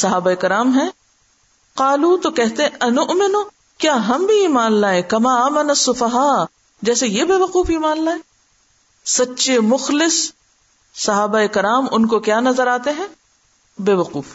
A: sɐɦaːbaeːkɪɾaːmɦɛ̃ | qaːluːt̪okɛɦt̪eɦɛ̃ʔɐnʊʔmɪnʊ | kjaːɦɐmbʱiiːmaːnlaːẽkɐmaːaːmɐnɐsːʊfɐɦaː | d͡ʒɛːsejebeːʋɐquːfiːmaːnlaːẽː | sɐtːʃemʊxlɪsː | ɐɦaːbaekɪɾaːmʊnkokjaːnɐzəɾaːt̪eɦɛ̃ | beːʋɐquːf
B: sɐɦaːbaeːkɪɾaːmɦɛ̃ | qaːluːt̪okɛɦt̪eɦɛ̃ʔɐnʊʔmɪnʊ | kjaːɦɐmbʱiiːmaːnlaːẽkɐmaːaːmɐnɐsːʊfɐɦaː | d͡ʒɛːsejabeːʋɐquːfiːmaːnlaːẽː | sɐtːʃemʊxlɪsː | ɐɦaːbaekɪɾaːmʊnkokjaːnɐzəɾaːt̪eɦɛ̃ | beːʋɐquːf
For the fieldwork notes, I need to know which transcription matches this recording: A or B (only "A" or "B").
A